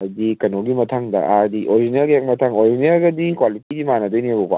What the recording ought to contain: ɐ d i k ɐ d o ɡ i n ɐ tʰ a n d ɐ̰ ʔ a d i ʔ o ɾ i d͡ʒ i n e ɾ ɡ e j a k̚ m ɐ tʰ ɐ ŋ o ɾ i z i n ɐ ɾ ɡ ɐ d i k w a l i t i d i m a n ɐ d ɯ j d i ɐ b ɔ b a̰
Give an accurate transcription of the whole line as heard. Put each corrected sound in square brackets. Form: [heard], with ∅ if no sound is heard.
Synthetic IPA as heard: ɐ d i k ɐ [n] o ɡ i [m] ɐ tʰ a [ŋ] d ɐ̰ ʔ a d i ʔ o ɾ i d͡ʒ i n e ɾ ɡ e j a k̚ m ɐ tʰ [a] ŋ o ɾ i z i n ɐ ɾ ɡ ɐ d i k w a l i t i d i m a n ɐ d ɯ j [n] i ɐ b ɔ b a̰